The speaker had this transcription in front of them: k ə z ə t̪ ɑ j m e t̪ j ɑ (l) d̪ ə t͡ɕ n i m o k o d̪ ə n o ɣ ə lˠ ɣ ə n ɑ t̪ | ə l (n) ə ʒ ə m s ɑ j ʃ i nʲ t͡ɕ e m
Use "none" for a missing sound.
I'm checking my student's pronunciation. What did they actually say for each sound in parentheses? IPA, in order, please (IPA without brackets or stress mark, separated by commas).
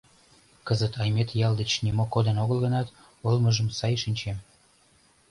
l, m